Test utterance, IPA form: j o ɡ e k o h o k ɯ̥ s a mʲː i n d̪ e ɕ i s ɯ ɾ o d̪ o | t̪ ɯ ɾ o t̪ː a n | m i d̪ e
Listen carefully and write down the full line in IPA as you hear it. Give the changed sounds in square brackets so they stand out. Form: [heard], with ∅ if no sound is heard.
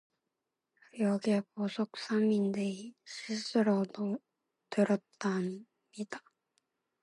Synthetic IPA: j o ɡ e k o [s] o k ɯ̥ s a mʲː i n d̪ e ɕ i s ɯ ɾ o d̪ o | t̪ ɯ ɾ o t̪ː a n | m i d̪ [a]